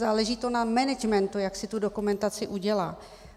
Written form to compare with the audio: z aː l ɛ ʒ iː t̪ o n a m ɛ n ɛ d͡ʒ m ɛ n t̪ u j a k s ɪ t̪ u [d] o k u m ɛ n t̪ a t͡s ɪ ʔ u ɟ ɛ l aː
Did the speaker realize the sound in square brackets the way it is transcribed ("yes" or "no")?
yes